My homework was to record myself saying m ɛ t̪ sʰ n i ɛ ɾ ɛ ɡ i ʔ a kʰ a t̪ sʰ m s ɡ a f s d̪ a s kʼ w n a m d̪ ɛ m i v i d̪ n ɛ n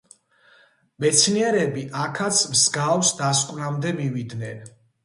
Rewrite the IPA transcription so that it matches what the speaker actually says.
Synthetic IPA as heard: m ɛ t̪ sʰ n i ɛ ɾ ɛ b i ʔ a kʰ a t̪ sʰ m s ɡ a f s d̪ a s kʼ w n a m d̪ ɛ m i v i d̪ n ɛ n

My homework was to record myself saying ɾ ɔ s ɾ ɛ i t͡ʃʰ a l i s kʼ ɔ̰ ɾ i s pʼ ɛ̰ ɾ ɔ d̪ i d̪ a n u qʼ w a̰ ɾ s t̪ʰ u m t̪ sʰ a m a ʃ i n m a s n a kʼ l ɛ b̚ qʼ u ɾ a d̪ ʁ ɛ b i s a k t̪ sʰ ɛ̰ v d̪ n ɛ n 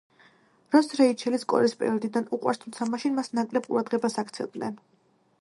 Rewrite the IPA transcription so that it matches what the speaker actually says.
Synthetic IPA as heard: ɾ ɔ s ɾ ɛ i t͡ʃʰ ɛ l i s kʼ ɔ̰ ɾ i s pʼ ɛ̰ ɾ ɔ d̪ i d̪ a n u qʼ w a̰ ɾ s t̪ʰ u m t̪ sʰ a m a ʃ i n m a s n a kʼ l ɛ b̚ qʼ u ɾ a d̪ ʁ ɛ b a s a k t̪ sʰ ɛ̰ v d̪ n ɛ n

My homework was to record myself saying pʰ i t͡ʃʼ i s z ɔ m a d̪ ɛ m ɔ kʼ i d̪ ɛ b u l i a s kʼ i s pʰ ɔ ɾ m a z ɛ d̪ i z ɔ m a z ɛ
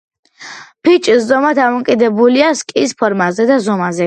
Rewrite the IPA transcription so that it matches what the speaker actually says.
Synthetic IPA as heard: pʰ i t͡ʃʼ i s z ɔ m a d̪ a m ɔ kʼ i d̪ ɛ b u l i a s kʼ i s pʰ ɔ ɾ m a z ɛ d̪ a z ɔ m a z ɛ

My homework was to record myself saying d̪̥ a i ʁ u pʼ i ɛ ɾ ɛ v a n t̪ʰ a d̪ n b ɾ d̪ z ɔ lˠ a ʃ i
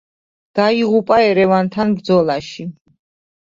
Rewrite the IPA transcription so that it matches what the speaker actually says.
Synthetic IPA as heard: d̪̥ a i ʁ u pʼ a ɛ ɾ ɛ v a n t̪ʰ a n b ɾ d̪ z ɔ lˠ a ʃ i

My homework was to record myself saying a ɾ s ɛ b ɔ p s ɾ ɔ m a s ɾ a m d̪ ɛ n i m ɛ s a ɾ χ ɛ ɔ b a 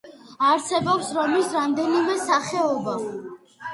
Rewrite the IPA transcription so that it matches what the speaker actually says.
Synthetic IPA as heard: a ɾ s ɛ b ɔ p s ɾ ɔ m i s ɾ a m d̪ ɛ n i m ɛ s a χ ɛ ɔ b a

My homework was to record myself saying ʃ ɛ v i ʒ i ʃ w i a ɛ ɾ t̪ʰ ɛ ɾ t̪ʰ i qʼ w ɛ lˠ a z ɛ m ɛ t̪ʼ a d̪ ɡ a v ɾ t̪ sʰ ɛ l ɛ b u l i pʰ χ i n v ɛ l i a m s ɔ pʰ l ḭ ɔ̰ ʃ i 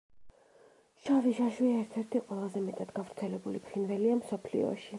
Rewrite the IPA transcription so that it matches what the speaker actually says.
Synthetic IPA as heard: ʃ a v i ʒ a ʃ w i a ɛ ɾ t̪ʰ ɛ ɾ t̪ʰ i qʼ w ɛ lˠ a z ɛ m ɛ t̪ʼ a d̪ ɡ a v ɾ t̪ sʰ ɛ l ɛ b u l i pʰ χ i n v ɛ l i a m s ɔ pʰ l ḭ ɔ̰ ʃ i

